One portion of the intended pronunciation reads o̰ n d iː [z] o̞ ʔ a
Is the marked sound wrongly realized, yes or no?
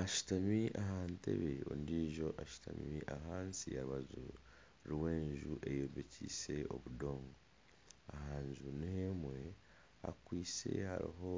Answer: yes